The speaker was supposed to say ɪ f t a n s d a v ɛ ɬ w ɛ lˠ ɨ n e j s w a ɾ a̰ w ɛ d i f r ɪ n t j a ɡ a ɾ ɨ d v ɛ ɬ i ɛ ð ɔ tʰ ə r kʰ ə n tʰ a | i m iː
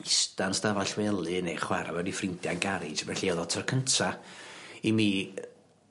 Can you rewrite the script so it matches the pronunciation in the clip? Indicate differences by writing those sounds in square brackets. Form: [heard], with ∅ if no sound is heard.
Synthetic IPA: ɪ [s] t a n s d a v [a] ɬ w ɛ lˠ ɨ n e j [χ] w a ɾ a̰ w ɛ d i f r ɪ n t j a ɡ a ɾ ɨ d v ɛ ɬ i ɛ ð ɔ tʰ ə r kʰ ə n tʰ a | i m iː